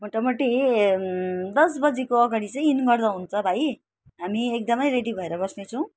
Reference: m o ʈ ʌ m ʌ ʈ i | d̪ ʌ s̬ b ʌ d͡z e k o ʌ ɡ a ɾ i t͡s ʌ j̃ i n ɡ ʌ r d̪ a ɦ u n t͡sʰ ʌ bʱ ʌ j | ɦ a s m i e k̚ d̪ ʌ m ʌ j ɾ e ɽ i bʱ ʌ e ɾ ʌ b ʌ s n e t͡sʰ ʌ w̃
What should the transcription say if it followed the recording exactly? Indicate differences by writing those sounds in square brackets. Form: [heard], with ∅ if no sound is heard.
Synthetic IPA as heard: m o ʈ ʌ m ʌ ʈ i | d̪ ʌ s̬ b ʌ d͡z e k o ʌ ɡ a [ɽ] i t͡s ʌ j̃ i n ɡ ʌ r d̪ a ɦ u n t͡sʰ ʌ bʱ [a] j | ɦ a [∅] m i e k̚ d̪ ʌ m ʌ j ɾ e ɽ i bʱ ʌ e ɾ ʌ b ʌ s n e t͡sʰ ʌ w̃